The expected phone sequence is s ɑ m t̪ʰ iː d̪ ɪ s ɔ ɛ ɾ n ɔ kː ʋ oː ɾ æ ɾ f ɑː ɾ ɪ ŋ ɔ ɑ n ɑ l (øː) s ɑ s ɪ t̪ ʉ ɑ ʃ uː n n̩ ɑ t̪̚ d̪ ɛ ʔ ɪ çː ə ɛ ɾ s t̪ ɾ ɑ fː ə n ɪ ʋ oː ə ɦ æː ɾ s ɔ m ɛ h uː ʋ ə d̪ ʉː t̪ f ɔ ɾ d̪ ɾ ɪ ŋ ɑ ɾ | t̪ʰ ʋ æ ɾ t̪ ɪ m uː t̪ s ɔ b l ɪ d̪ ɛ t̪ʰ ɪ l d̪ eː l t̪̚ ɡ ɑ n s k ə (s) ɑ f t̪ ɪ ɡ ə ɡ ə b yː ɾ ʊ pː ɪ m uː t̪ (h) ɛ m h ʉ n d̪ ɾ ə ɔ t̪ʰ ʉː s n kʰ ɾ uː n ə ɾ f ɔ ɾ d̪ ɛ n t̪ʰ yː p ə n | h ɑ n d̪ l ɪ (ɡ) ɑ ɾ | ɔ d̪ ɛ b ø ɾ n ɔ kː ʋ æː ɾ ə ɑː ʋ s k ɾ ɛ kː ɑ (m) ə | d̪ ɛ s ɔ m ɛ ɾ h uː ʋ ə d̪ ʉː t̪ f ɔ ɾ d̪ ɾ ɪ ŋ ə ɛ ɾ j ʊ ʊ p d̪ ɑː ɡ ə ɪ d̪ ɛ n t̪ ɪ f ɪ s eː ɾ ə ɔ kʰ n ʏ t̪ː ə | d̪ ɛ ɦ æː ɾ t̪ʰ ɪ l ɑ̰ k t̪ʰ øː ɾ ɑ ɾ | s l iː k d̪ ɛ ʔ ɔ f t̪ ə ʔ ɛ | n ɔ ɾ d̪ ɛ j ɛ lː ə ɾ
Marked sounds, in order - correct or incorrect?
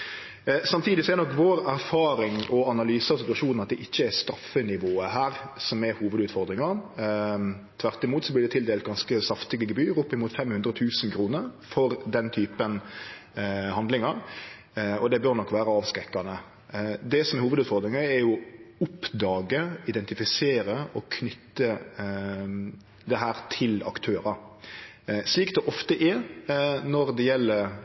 incorrect, correct, incorrect, incorrect, incorrect

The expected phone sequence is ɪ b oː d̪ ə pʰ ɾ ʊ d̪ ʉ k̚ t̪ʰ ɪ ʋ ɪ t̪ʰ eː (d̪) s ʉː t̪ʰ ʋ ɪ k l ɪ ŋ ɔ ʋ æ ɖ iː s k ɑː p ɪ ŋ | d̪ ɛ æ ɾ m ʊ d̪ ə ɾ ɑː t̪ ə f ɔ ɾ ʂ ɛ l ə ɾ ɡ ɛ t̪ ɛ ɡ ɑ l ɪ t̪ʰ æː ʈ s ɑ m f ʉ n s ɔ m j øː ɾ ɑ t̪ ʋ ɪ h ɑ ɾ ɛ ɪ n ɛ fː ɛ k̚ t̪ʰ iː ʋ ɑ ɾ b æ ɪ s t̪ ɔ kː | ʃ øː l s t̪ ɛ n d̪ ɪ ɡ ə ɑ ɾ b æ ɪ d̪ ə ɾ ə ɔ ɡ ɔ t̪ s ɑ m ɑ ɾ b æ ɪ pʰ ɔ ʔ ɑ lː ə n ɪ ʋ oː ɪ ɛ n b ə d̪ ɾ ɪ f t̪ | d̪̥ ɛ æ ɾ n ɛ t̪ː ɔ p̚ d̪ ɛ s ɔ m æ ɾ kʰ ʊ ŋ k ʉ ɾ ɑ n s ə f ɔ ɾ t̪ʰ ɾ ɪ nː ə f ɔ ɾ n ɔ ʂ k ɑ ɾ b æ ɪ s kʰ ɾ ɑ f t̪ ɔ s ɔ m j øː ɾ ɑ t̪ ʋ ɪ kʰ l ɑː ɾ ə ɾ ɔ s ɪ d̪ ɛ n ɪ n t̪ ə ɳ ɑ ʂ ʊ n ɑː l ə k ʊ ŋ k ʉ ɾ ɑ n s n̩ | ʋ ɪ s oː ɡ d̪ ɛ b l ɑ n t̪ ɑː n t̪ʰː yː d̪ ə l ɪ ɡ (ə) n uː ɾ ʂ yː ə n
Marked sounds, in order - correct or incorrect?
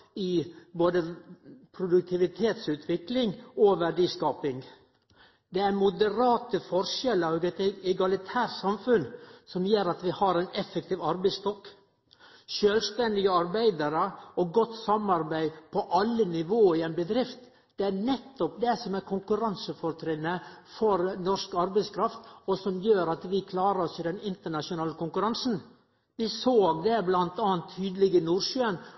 incorrect, correct

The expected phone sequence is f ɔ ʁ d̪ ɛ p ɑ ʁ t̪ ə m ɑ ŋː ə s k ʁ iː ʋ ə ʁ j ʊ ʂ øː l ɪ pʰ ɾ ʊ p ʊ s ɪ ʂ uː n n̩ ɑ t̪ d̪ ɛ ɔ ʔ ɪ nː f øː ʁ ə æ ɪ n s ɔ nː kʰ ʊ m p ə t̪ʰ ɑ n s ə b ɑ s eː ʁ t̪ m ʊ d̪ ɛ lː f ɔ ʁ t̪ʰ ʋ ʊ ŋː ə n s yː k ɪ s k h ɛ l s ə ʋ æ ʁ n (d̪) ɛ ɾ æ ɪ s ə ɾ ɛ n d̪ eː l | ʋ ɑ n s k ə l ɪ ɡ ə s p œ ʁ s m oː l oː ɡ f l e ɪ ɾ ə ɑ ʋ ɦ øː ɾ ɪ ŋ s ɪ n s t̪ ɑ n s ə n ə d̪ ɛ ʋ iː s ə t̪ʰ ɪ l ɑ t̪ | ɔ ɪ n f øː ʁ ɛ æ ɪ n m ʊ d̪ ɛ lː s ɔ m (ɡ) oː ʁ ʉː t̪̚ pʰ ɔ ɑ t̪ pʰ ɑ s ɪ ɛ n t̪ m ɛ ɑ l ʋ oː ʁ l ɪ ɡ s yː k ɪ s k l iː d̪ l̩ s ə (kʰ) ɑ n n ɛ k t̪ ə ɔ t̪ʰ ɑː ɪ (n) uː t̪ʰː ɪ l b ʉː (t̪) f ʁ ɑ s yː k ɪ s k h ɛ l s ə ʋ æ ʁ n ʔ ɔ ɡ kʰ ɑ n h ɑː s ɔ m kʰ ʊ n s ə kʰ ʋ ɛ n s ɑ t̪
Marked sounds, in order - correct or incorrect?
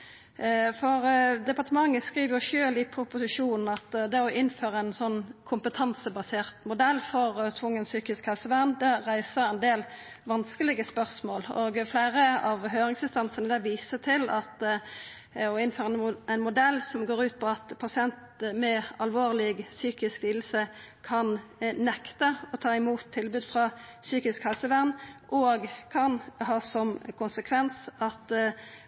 correct, correct, correct, incorrect, incorrect

